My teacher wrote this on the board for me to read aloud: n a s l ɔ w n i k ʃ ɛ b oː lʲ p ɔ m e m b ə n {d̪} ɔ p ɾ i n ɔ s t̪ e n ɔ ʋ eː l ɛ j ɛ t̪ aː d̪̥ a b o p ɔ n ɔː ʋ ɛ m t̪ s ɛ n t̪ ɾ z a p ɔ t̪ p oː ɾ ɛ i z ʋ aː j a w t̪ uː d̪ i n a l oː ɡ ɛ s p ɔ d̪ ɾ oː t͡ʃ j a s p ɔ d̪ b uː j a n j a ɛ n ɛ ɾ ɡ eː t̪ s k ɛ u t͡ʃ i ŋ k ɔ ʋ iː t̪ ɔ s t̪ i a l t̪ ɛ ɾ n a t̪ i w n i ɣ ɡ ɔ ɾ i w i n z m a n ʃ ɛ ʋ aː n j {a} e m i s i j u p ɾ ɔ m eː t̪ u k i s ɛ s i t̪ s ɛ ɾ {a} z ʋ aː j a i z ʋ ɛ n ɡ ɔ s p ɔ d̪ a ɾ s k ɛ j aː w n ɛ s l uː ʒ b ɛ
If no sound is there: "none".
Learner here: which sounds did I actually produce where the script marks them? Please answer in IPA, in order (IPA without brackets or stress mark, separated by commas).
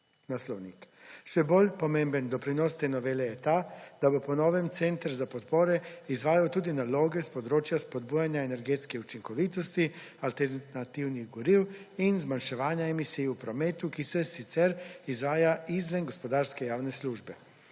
d̪, a, i